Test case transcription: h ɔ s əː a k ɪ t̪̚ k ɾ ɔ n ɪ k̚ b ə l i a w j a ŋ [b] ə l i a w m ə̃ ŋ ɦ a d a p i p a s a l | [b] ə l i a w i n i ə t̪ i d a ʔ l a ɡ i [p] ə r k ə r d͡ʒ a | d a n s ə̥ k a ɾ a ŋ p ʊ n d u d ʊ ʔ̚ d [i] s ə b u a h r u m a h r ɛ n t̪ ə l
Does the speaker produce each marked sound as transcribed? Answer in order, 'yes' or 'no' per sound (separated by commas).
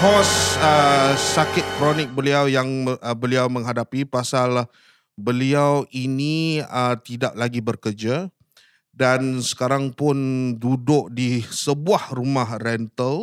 yes, yes, no, yes